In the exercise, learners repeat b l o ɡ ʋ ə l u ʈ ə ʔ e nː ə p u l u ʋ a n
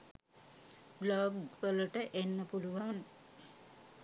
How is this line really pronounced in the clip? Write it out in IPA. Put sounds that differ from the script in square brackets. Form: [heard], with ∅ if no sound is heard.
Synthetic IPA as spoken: b l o ɡ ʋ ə l u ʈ ə ʔ e nː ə p u l u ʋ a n